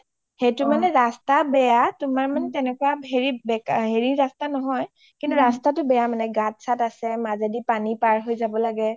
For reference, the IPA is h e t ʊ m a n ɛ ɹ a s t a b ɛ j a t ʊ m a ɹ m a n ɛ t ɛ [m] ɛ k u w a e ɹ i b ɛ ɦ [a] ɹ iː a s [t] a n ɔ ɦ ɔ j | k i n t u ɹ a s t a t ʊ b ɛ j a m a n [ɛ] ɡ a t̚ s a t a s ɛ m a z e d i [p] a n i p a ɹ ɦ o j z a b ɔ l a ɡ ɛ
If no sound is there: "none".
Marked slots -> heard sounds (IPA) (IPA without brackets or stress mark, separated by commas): n, e, t, ɛ, p